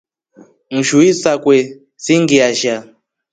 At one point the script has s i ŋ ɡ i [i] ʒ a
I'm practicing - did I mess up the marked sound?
yes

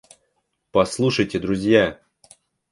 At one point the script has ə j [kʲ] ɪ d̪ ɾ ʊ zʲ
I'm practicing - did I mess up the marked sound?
yes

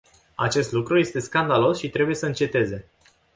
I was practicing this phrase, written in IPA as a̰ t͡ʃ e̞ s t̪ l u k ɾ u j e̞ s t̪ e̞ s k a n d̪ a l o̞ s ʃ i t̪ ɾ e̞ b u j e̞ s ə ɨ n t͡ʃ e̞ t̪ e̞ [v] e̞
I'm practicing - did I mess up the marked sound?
yes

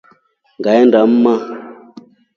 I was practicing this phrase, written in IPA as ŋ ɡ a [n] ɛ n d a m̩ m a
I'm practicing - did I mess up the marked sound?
yes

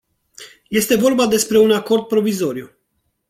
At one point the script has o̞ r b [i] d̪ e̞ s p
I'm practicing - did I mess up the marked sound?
yes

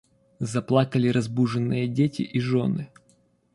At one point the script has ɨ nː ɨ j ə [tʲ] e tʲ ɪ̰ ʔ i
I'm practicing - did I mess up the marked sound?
yes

